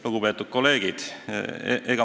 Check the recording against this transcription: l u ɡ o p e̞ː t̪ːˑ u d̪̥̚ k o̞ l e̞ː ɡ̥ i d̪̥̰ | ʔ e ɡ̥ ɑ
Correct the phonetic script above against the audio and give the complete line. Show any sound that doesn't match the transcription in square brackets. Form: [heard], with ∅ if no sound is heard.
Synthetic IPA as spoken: l u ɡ [u] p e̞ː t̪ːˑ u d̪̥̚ k o̞ l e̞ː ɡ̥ i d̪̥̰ | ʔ e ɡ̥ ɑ